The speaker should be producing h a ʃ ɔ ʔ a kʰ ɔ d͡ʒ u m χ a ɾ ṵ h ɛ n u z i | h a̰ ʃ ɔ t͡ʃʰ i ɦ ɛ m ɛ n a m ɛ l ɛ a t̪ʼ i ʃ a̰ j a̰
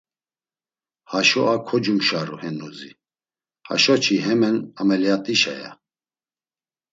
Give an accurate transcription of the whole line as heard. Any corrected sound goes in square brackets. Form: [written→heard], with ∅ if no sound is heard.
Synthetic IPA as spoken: h a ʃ ɔ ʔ a kʰ ɔ d͡ʒ u m [χ→ʃ] a ɾ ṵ h ɛ n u z i | h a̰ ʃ ɔ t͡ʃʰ i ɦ ɛ m ɛ n a m ɛ l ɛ a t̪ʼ i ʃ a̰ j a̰